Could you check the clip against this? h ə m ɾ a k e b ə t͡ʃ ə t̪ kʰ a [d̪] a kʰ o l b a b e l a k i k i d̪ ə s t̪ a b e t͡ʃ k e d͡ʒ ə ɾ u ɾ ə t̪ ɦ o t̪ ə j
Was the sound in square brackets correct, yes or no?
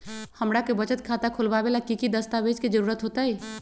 no